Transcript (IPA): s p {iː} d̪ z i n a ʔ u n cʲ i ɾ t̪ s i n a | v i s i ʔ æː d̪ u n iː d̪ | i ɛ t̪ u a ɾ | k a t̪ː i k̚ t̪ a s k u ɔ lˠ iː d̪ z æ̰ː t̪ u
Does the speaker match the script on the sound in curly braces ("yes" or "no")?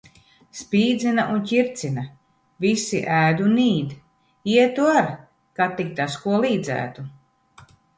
yes